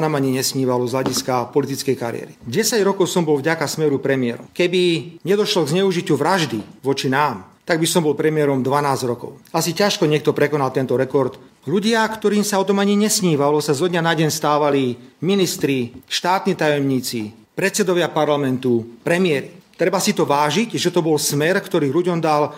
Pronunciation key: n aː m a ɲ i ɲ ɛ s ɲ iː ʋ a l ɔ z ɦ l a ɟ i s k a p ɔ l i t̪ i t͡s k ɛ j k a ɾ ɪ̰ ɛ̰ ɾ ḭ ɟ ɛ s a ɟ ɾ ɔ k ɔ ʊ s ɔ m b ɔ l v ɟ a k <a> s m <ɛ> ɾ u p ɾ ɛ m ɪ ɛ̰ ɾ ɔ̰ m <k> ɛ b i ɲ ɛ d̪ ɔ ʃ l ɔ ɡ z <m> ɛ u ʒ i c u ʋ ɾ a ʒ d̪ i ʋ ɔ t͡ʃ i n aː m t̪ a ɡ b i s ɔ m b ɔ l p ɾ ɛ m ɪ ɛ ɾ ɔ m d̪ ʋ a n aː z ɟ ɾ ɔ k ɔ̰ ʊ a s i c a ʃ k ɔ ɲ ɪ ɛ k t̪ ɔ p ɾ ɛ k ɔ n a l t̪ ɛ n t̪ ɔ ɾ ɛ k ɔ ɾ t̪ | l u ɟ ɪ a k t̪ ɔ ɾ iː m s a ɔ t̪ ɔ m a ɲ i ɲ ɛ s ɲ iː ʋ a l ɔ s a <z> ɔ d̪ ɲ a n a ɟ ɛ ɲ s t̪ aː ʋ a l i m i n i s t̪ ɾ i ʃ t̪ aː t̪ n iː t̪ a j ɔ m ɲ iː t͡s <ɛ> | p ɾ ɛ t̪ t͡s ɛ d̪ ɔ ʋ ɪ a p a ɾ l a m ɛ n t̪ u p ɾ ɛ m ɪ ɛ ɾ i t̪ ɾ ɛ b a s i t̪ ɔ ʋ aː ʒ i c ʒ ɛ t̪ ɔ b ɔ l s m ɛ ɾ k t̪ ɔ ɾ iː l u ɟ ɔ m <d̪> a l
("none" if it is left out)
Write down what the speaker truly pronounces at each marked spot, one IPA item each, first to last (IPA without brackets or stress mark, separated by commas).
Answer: a, ɛ, k, ɲ, z, i, d̪